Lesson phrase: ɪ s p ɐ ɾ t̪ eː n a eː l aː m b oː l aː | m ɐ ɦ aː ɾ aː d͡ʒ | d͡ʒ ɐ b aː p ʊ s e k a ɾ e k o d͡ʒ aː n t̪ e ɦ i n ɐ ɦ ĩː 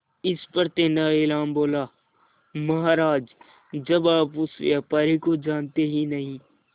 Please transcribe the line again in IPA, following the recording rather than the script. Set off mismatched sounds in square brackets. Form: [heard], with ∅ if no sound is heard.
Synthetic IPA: ɪ s p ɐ ɾ t̪ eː n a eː l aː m b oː l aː | m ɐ ɦ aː ɾ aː d͡ʒ | d͡ʒ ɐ b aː p ʊ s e [p] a ɾ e k o d͡ʒ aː n t̪ e ɦ i n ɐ ɦ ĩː

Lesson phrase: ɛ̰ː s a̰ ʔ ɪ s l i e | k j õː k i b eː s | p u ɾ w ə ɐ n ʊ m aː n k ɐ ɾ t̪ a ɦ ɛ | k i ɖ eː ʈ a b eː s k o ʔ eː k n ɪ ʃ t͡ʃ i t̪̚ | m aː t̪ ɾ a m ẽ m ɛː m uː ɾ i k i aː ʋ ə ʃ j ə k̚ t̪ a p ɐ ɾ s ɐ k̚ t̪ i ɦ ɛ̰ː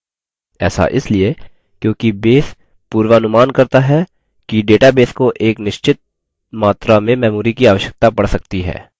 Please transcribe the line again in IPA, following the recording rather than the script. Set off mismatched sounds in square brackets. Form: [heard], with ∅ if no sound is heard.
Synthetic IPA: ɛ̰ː s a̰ ʔ ɪ s l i e | k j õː k i b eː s | p [uː] ɾ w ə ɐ n ʊ m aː n k ɐ ɾ t̪ a ɦ ɛ | k i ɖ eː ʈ a b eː s k o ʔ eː k n ɪ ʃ t͡ʃ [ɪ] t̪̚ | m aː t̪ ɾ a m ẽ m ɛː m uː ɾ i k i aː ʋ ə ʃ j ə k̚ t̪ a p ɐ [ɽ] s ɐ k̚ t̪ i ɦ ɛ̰ː

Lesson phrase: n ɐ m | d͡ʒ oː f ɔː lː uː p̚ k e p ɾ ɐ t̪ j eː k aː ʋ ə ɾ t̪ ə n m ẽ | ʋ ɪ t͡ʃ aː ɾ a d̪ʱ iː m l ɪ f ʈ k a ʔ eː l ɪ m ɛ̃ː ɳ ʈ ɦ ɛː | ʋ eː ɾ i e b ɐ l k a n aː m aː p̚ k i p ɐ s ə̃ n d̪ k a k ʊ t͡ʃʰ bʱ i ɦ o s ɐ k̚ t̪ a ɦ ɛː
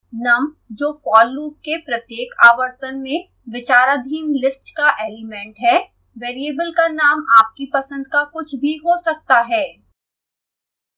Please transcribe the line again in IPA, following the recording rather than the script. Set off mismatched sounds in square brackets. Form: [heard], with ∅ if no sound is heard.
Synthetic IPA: n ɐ m | d͡ʒ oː f ɔː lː uː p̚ k e p ɾ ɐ t̪ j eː k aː ʋ ə ɾ t̪ ə n m ẽ | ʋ ɪ t͡ʃ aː ɾ a d̪ʱ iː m l ɪ [s] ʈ k a ʔ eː l ɪ m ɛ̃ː ɳ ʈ ɦ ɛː | ʋ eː ɾ i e b [ə] l k a n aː m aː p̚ k i p ɐ s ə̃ n d̪ k a k ʊ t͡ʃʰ bʱ i ɦ o s ɐ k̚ t̪ a ɦ ɛː

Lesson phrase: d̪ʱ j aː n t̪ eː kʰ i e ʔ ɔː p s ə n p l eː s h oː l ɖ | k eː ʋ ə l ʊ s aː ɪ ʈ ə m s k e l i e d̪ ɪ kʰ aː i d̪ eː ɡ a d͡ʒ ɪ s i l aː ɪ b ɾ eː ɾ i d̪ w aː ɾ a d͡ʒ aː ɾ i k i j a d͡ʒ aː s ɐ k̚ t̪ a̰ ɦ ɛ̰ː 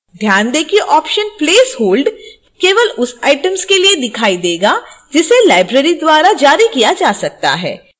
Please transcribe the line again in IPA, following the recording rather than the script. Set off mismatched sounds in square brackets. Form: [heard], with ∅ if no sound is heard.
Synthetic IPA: d̪ʱ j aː n [d̪] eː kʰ i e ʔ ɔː p [ʃ] ə n p l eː s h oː l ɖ | k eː ʋ ə l ʊ s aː ɪ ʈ ə m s k e l i e d̪ ɪ kʰ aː i d̪ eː ɡ a d͡ʒ ɪ s [e] l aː ɪ b ɾ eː ɾ i d̪ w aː ɾ a d͡ʒ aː ɾ i k i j a d͡ʒ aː s ɐ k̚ t̪ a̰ ɦ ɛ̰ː

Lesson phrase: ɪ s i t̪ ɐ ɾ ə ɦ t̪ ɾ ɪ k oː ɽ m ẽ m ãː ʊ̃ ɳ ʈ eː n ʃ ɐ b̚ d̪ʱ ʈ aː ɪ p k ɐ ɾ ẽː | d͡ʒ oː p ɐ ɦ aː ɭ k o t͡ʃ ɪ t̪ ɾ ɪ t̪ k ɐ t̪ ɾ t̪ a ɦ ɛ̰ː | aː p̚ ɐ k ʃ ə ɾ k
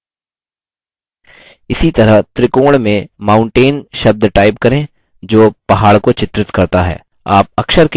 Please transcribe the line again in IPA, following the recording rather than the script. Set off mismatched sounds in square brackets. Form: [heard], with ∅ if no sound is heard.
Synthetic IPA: ɪ s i t̪ ɐ ɾ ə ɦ t̪ ɾ ɪ k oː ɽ m ẽ m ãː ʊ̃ ɳ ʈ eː n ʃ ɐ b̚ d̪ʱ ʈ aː ɪ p k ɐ ɾ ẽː | d͡ʒ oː p ɐ ɦ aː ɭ k o t͡ʃ ɪ t̪ ɾ ɪ t̪ k ɐ [∅] ɾ t̪ a ɦ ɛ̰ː | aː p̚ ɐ k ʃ ə ɾ k

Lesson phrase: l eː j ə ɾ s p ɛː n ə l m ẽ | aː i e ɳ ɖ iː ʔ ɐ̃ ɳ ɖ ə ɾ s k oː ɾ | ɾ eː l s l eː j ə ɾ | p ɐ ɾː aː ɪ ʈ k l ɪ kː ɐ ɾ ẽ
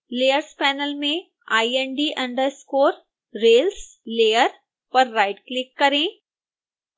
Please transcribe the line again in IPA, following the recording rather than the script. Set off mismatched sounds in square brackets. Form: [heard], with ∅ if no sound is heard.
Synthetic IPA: l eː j ə ɾ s p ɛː n ə l m ẽ | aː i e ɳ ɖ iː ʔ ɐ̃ ɳ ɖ ə ɾ s k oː ɾ | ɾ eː l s l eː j ə ɾ | p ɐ ɾː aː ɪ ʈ k l ɪ kː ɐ ɾ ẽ

